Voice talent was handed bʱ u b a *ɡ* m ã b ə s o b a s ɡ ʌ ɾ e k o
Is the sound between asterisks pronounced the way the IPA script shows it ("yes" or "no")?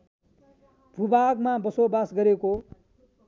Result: yes